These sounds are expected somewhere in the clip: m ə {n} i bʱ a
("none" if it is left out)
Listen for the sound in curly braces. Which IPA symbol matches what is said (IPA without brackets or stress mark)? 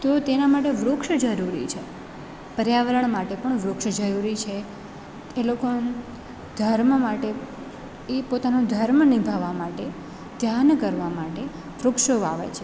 n